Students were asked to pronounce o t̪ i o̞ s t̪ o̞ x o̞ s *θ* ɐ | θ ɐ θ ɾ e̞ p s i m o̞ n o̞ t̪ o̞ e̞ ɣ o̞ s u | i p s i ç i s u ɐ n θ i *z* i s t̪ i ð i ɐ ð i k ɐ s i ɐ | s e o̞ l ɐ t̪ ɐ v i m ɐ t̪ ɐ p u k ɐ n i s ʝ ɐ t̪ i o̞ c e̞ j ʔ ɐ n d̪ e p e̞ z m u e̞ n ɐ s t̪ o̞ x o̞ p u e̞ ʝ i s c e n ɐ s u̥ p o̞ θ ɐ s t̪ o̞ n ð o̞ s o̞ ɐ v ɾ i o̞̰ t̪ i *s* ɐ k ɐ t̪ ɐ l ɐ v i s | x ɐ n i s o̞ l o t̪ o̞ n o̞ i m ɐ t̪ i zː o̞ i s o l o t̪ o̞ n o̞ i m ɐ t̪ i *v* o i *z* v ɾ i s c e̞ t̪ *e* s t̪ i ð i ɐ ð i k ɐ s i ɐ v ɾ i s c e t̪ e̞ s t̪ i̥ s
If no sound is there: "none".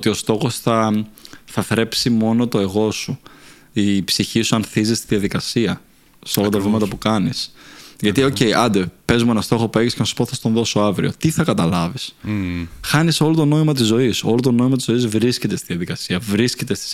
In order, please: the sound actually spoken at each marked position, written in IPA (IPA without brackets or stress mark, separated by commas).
θ, z, θ, z, z, e